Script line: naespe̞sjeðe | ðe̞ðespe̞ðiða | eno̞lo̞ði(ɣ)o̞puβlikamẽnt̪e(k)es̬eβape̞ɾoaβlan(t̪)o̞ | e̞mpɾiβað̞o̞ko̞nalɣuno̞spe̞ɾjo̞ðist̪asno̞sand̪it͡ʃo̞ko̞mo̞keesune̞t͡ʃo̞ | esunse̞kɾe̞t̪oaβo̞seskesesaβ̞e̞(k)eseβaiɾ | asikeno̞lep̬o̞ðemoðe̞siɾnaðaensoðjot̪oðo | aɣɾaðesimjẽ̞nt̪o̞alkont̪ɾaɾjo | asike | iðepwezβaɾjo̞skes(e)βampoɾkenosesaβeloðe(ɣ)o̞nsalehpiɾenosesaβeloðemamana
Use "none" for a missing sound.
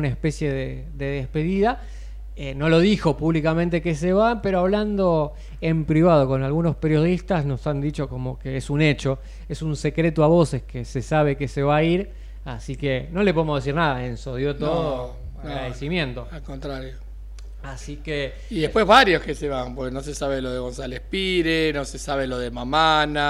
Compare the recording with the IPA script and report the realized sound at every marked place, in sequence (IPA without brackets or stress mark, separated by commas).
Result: x, k, d̪, k, e, ɣ